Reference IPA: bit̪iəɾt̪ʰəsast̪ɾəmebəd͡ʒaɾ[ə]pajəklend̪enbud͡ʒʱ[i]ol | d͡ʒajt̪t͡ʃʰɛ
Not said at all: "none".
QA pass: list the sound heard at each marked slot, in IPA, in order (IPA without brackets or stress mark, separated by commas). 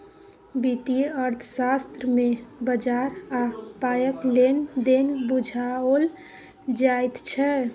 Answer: a, a